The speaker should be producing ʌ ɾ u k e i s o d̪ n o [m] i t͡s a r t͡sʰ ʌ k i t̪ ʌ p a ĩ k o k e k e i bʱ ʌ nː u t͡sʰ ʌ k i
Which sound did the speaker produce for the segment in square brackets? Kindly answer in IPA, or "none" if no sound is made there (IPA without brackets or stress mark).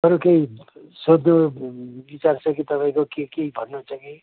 b